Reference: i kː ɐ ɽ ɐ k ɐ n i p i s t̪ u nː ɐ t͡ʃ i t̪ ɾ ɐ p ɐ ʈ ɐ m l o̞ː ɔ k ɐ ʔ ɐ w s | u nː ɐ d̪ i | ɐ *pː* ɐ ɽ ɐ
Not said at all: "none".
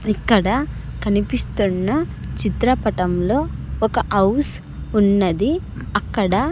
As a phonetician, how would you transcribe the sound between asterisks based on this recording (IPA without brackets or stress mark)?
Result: kː